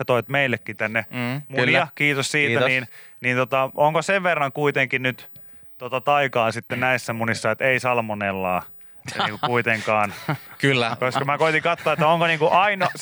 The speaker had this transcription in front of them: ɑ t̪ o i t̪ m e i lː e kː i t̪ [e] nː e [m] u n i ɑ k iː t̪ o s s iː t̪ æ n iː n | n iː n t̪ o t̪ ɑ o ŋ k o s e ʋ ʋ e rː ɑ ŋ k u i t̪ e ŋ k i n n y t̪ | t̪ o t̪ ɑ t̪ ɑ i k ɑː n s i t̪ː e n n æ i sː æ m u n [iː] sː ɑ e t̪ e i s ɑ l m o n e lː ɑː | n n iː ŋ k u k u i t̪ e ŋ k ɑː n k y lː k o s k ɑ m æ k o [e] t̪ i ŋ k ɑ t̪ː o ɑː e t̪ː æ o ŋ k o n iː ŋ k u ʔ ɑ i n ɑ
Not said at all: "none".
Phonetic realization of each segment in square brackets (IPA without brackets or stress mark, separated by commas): æ, m, i, i